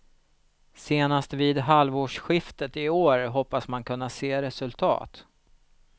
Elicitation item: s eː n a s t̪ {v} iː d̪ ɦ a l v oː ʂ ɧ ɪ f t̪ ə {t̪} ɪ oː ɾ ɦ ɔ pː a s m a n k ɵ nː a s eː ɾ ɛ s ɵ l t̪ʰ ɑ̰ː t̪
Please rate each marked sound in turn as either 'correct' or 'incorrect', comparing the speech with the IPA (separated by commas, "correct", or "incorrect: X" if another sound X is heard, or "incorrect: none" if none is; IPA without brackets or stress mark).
correct, correct